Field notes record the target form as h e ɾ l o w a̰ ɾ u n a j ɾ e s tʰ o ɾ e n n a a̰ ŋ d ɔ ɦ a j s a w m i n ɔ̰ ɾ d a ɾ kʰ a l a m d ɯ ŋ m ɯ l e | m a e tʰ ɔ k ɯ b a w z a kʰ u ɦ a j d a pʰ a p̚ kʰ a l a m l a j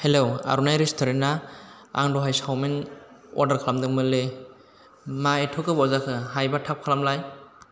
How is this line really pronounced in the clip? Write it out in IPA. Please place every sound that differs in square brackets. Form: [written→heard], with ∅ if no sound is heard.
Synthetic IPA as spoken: h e [ɾ→∅] l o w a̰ ɾ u n a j ɾ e s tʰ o ɾ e n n a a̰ ŋ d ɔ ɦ a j s a w m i n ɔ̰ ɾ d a ɾ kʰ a l a m d ɯ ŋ m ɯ l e | m a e tʰ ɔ k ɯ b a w z a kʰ [u→ɯ] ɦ a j [d→b] a [pʰ→tʰ] a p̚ kʰ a l a m l a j